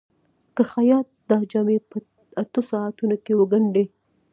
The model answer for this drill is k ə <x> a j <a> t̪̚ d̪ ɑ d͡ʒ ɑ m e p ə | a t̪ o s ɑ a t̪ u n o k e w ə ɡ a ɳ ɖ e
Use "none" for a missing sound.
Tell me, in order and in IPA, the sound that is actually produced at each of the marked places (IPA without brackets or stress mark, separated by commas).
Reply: x, ɑ